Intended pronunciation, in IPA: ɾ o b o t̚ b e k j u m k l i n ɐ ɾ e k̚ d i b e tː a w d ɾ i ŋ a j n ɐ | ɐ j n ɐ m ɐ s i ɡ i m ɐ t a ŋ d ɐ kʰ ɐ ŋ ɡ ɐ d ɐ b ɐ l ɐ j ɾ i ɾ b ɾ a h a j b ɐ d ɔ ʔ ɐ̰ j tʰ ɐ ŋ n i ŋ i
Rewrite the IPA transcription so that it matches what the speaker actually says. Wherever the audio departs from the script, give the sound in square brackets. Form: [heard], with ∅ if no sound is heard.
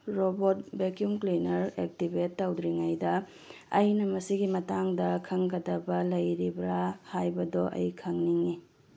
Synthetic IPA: ɾ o b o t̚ b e k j u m k l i n ɐ ɾ e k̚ [t] i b e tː a w d ɾ i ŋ a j [d] ɐ | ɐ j n ɐ m ɐ s i ɡ i m ɐ t a ŋ d ɐ kʰ ɐ ŋ ɡ ɐ d ɐ b ɐ l ɐ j ɾ i [∅] b ɾ a h a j b ɐ d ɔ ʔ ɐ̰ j [kʰ] ɐ ŋ n i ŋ i